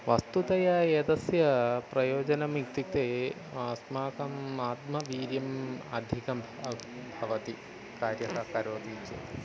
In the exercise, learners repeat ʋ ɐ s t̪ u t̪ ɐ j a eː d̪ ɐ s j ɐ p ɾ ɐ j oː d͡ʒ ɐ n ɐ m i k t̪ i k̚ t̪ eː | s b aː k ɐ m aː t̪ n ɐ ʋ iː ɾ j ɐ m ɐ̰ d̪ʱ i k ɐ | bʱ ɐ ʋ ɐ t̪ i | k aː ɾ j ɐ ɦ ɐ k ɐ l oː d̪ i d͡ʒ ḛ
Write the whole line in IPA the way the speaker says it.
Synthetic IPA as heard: ʋ ɐ s t̪ u t̪ ɐ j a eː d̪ ɐ s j ɐ p ɾ ɐ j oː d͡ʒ ɐ n ɐ m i k t̪ i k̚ t̪ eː | s m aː k ɐ m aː t̪ m ɐ ʋ iː ɾ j ɐ m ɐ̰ d̪ʱ i k ɐ | bʱ ɐ ʋ ɐ t̪ i | k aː ɾ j ɐ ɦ ɐ k ɐ ɾ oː d̪ i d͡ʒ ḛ